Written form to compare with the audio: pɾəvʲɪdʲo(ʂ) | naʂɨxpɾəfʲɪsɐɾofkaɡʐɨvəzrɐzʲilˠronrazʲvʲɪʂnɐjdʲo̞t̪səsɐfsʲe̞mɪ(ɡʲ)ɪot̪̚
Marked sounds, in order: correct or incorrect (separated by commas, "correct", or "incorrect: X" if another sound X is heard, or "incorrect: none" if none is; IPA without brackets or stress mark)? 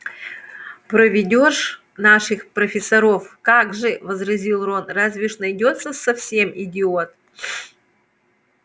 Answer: correct, incorrect: dʲ